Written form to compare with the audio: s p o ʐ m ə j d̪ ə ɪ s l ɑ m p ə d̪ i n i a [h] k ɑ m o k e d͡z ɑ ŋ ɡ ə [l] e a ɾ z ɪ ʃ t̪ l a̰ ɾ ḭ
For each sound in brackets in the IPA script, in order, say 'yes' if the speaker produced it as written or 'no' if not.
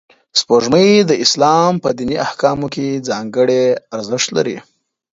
yes, no

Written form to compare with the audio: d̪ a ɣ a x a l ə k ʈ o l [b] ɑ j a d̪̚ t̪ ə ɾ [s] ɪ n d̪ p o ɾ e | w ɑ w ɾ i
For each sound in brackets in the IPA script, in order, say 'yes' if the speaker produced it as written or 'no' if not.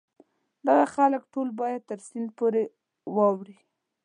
yes, yes

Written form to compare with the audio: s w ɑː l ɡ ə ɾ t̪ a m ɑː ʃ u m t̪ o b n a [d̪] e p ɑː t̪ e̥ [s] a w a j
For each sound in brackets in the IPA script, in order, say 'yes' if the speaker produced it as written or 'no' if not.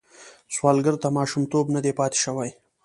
yes, no

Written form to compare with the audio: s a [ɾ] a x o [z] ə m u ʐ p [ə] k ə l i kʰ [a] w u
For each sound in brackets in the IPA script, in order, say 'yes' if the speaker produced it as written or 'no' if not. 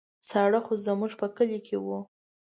no, yes, yes, no

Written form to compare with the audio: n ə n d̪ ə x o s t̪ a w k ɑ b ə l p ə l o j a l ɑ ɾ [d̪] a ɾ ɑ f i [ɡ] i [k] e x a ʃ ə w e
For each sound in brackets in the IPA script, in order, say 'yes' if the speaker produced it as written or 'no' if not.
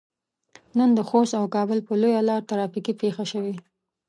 no, no, no

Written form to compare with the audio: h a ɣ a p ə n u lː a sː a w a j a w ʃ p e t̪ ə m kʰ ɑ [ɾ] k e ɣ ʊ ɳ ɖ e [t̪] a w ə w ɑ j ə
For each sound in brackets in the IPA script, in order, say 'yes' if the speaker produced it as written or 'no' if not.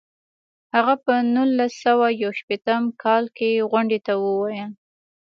no, yes

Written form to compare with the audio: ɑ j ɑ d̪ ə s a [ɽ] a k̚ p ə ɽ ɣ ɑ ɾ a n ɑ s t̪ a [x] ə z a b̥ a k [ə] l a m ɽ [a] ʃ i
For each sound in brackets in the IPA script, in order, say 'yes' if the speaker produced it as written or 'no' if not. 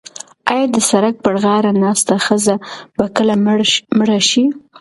no, yes, yes, yes

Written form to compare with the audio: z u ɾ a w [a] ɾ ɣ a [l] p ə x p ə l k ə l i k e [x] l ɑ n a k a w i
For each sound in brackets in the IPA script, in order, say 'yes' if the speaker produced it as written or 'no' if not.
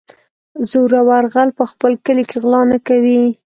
yes, yes, no

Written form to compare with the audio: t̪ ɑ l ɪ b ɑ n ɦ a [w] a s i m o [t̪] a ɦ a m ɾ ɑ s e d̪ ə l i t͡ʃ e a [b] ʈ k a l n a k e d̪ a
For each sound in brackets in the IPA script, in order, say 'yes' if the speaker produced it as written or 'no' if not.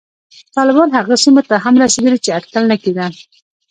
no, yes, no

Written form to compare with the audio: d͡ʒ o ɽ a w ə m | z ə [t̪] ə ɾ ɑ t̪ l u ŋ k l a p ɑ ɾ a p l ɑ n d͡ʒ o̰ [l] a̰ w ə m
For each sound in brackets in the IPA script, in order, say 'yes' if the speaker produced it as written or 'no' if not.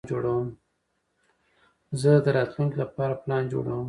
no, no

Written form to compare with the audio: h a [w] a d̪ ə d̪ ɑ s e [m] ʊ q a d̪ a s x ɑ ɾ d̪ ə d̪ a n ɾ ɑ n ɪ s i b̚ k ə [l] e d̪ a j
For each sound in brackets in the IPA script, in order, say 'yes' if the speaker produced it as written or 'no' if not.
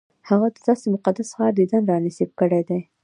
no, yes, no

